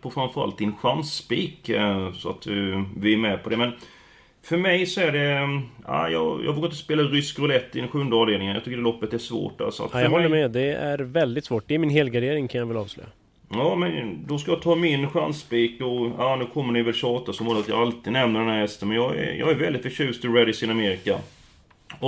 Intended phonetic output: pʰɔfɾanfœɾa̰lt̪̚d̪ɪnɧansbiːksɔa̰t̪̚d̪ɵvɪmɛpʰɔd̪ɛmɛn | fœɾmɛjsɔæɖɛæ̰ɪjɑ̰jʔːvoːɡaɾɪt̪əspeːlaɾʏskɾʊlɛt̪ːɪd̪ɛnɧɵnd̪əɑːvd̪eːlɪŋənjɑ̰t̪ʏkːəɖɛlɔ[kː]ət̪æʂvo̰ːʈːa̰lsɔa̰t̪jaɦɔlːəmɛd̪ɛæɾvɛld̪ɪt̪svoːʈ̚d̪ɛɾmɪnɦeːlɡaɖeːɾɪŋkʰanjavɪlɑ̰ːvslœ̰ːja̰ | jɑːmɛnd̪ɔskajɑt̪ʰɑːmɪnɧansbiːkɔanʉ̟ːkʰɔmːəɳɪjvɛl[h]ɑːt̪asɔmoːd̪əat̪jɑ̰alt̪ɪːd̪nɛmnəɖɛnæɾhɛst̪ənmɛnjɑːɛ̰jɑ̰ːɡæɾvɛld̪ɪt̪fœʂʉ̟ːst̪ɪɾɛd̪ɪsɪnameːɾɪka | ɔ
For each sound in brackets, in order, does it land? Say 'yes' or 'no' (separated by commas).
no, no